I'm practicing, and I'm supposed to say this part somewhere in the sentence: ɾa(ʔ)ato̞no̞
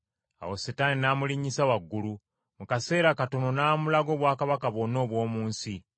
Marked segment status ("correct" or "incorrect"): incorrect